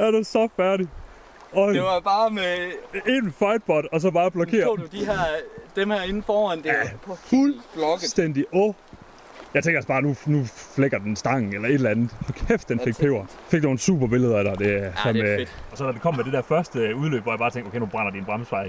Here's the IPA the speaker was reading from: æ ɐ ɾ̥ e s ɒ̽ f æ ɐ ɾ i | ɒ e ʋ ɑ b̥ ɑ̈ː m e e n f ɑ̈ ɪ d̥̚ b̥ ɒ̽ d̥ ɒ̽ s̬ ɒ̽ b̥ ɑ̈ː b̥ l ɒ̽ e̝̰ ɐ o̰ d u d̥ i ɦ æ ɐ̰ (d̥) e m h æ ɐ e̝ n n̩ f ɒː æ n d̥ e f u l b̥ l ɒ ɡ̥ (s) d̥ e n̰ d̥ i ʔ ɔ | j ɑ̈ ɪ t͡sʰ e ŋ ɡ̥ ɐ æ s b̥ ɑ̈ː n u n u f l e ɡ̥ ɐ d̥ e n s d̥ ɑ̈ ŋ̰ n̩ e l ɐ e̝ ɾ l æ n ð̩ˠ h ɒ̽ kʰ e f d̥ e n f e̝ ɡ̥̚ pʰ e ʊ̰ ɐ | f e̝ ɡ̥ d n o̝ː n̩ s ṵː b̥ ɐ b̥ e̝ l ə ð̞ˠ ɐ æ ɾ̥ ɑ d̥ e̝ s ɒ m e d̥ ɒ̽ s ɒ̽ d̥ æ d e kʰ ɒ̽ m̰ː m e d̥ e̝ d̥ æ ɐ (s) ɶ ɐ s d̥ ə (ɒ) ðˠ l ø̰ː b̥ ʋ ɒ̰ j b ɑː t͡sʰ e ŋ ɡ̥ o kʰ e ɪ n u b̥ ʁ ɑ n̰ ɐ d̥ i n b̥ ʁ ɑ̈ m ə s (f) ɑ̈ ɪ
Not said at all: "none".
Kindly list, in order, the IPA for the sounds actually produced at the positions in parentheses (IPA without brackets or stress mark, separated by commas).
d̥, s, f, u, f